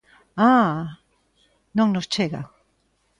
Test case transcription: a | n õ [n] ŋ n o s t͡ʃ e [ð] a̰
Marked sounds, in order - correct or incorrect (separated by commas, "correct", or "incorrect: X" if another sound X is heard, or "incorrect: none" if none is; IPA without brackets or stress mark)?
incorrect: none, incorrect: ɣ